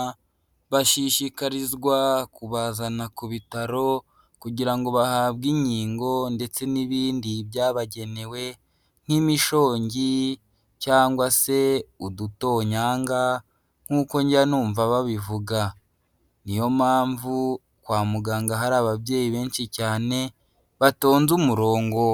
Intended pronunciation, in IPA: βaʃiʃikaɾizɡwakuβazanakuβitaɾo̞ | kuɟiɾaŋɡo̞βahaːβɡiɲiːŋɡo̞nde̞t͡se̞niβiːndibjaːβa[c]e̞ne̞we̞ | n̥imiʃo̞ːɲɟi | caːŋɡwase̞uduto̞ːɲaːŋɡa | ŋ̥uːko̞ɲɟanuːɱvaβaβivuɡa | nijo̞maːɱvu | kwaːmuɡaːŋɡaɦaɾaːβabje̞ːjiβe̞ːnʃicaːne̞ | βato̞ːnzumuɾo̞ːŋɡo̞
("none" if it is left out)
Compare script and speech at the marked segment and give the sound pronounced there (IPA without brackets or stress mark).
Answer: ɟ